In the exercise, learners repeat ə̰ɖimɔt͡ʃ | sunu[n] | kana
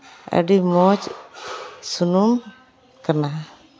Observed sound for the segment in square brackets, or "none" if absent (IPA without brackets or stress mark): m